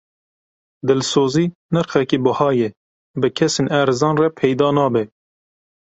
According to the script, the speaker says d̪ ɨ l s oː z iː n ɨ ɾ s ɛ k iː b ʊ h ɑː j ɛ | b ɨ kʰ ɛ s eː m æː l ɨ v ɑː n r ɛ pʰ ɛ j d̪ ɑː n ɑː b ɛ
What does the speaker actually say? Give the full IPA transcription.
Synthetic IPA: d̪ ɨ l s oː z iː n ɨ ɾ x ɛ k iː b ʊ h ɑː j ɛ | b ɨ kʰ ɛ s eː n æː ɾ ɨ z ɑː n r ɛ pʰ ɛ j d̪ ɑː n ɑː b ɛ